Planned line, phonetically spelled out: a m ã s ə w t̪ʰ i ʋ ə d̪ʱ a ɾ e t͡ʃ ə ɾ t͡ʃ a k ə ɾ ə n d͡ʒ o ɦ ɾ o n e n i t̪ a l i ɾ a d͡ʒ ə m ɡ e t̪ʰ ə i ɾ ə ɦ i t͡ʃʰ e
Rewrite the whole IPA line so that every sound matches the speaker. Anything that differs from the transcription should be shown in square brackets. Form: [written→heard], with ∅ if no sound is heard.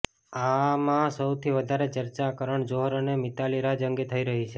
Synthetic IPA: a m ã s ə w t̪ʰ i ʋ ə d̪ʱ a ɾ e t͡ʃ ə ɾ t͡ʃ a k ə ɾ ə [n→ɳ] d͡ʒ o ɦ ɾ o n e [n→m] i t̪ a l i ɾ a d͡ʒ ə [m→ŋ] ɡ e t̪ʰ ə i ɾ ə ɦ i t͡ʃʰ e